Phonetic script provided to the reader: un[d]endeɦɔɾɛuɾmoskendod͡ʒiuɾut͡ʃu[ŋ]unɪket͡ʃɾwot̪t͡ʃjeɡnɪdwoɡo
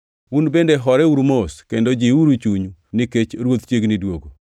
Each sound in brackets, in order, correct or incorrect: incorrect, incorrect

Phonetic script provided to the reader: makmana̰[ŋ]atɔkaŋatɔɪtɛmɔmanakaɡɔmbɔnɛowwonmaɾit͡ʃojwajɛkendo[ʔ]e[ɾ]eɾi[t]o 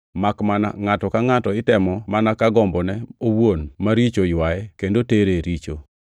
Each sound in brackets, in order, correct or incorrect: correct, incorrect, correct, incorrect

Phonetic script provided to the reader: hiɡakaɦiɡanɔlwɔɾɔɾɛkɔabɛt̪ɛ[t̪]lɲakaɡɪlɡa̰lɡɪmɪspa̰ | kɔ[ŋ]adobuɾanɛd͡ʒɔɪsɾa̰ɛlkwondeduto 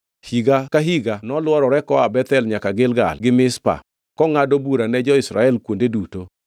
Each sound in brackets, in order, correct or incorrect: incorrect, correct

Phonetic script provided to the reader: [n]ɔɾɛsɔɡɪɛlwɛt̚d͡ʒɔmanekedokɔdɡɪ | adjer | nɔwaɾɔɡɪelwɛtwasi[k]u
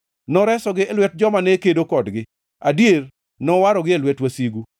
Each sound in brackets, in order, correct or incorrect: correct, incorrect

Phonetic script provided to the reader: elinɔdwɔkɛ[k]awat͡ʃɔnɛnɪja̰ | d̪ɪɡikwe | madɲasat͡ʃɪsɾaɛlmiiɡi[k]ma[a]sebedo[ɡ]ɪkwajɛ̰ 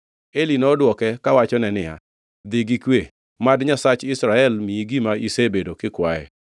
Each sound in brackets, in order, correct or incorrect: correct, incorrect, incorrect, incorrect

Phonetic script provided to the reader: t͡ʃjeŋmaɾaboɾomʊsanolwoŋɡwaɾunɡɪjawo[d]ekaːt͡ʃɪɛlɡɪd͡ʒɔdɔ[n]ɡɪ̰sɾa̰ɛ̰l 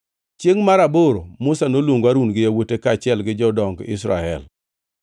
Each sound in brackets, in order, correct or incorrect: incorrect, incorrect

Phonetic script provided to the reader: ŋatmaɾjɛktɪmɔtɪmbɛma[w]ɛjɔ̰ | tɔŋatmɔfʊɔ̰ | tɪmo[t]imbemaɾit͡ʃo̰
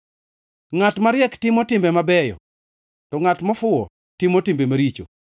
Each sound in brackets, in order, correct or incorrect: incorrect, correct

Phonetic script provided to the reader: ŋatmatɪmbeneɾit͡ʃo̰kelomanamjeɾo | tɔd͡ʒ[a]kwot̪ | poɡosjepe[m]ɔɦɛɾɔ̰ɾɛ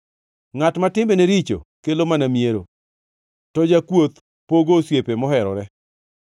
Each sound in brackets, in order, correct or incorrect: correct, correct

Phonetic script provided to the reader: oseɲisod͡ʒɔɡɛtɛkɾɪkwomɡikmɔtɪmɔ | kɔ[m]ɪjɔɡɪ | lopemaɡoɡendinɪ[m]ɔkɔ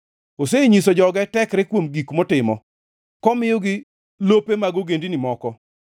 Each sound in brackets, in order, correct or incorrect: correct, correct

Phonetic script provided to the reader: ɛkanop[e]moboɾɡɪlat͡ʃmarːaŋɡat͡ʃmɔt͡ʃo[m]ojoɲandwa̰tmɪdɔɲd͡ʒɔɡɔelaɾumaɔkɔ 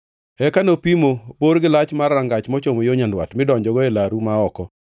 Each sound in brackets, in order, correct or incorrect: incorrect, correct

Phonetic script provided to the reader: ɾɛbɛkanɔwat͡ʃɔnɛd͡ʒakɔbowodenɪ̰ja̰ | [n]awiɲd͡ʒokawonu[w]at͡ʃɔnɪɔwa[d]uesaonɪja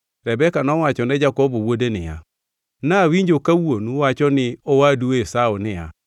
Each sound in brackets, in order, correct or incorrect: correct, correct, correct

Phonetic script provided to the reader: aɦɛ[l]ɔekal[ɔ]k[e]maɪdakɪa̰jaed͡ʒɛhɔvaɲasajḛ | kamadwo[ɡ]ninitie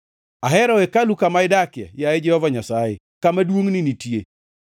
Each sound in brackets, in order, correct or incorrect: incorrect, incorrect, incorrect, incorrect

